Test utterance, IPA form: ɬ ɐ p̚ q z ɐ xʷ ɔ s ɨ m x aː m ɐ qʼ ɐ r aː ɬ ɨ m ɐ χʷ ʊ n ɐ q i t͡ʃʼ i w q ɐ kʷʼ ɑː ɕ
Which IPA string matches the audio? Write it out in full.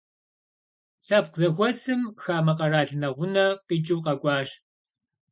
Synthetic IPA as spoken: ɬ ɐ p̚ q z ɐ xʷ ɔ s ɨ m x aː m ɐ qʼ ɐ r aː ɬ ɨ n ɐ ʁʷ ʊ n ɐ q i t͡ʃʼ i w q ɐ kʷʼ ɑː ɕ